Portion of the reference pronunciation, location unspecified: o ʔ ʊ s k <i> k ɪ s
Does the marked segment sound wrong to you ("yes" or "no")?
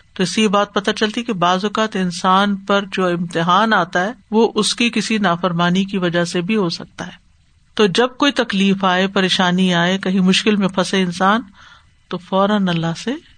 no